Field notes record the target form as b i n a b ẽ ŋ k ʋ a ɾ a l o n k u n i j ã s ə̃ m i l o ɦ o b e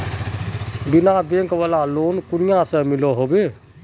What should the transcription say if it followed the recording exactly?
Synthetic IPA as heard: b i n a b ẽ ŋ k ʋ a l a l o n k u n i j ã s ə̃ m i l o ɦ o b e

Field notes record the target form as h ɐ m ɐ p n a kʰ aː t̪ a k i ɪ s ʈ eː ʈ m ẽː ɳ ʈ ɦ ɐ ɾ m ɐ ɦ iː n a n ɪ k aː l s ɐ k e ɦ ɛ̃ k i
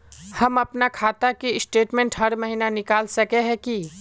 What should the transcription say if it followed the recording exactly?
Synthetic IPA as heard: h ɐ m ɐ p n a kʰ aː t̪ a k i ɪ s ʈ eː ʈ m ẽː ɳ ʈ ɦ ɐ ɾ m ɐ ɦ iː n a n ɪ k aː l s ɐ k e ɦ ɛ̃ k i

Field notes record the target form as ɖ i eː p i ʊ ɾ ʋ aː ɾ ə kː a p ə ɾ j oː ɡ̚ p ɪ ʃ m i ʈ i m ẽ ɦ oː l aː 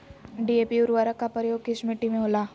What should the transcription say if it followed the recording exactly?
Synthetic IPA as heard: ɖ i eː p i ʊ ɾ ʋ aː ɾ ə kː a p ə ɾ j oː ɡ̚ k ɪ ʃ m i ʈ i m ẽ ɦ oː l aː

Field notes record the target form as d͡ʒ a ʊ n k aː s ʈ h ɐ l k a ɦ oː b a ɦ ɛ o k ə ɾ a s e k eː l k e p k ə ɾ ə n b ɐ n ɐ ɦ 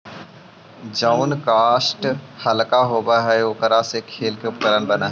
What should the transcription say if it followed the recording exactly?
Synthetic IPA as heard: d͡ʒ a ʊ n k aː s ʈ h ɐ l k a ɦ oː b a ɦ ɛ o k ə ɾ a s e kʰ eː l k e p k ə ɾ ə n b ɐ n a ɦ

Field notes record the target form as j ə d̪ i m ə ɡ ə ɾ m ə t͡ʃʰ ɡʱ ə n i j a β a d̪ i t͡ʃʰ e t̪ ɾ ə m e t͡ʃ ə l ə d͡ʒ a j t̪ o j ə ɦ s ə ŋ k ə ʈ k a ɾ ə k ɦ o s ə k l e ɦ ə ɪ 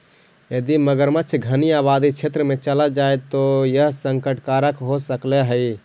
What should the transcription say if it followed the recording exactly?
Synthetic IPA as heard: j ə d̪ i m ə ɡ ə ɾ m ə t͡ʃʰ ɡʱ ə n i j a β a d̪ i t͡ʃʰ e t̪ ɾ ə m e t͡ʃ ə l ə d͡ʒ a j t̪ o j ə ɦ s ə ŋ k ə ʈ k a ɾ ə k ɦ o s ə k l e ɦ ə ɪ

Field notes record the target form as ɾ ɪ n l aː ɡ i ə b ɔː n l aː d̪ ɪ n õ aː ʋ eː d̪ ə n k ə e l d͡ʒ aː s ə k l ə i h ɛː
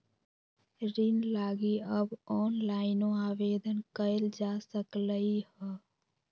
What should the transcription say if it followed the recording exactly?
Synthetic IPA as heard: ɾ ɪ n l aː ɡ i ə b ɔː n l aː ɪ n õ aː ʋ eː d̪ ə n k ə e l d͡ʒ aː s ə k l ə i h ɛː

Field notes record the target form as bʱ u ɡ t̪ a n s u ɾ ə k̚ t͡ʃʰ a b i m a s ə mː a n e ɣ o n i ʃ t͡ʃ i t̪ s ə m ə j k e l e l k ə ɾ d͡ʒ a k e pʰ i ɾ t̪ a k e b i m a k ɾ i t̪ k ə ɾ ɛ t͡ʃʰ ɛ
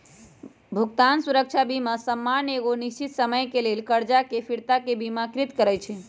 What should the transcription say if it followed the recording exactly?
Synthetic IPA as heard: bʱ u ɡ t̪ a n s u ɾ ə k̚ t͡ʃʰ a b i m a s ə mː a n e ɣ o n i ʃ t͡ʃ i t̪ s ə m ə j k e l e l k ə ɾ d͡ʒ a k e pʰ i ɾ t̪ a k e b i m a k ɾ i t̪ k ə ɾ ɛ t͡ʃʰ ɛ

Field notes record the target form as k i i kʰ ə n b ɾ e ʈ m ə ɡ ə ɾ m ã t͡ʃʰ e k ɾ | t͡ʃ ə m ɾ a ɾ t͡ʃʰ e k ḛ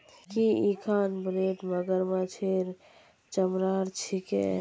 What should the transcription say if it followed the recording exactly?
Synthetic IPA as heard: k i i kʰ a n b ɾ e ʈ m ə ɡ ə ɾ m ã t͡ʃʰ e ɾ | t͡ʃ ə m ɾ a ɾ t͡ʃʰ i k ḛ

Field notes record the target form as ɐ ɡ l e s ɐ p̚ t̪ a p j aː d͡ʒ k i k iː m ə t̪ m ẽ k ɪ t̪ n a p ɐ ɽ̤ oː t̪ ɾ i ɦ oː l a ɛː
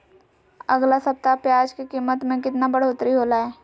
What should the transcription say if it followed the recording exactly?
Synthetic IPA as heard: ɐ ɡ l a s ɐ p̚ t̪ a p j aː d͡ʒ k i k iː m ə t̪ m ẽ k ɪ t̪ n a b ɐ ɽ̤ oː t̪ ɾ i ɦ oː l a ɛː

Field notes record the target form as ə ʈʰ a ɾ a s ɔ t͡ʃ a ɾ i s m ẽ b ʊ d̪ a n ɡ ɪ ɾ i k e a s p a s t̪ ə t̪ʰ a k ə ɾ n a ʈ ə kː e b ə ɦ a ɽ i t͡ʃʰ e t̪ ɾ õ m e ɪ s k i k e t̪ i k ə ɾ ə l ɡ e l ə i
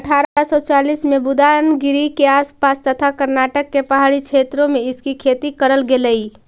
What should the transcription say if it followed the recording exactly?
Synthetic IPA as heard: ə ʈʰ a ɾ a s ɔ t͡ʃ a l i s m e b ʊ d̪ a n ɡ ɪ ɾ i k e a s p a s t̪ ə t̪ʰ a k ə ɾ n a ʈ ə kː e p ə ɦ a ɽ i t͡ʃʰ e t̪ ɾ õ m e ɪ s k i kʰ e t̪ i k ə ɾ ə l ɡ e l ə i

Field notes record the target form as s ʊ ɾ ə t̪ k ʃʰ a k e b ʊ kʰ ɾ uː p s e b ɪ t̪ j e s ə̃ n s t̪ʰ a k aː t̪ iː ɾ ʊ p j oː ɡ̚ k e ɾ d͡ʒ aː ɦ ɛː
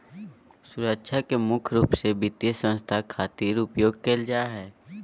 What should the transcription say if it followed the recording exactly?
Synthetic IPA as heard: s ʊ ɾ ə k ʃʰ a k e m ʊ kʰ ɾ uː p s e b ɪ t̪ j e s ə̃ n s t̪ʰ a kʰ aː t̪ iː ɾ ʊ p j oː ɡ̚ k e l d͡ʒ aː ɦ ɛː

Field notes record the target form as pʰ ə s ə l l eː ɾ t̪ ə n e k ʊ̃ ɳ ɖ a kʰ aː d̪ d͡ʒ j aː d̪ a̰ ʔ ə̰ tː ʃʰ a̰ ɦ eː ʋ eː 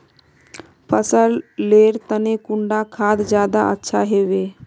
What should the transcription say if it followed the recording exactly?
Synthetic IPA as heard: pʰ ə s ə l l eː ɾ t̪ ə n e k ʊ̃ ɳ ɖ a kʰ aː d̪ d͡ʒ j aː d̪ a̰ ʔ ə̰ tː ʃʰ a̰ ɦ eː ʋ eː

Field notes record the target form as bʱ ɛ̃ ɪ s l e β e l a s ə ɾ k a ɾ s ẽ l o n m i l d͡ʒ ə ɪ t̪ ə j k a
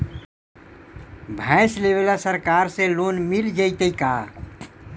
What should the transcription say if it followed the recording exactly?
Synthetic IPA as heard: bʱ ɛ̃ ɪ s l e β e l a s ə ɾ k a ɾ s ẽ l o n m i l d͡ʒ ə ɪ t̪ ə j k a

